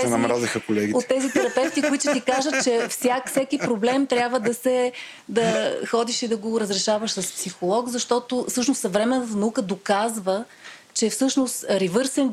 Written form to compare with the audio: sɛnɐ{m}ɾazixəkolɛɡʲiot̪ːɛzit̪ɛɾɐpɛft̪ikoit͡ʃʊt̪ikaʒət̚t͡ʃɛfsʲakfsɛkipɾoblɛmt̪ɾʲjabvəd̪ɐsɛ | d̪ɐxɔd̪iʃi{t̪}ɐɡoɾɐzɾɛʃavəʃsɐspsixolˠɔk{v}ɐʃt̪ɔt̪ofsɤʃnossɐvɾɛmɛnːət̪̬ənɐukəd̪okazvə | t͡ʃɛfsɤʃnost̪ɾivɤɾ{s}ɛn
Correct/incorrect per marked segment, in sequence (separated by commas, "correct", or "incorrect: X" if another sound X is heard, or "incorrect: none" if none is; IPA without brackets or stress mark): correct, incorrect: d̪, incorrect: z, correct